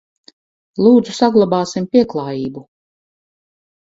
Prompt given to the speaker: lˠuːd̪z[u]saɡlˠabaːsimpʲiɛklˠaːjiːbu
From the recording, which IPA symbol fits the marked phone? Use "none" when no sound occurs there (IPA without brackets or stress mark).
u